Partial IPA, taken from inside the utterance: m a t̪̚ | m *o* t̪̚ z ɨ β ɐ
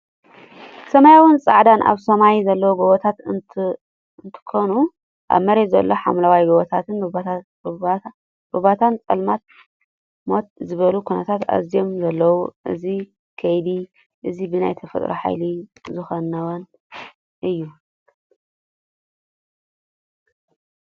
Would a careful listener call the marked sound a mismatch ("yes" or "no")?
no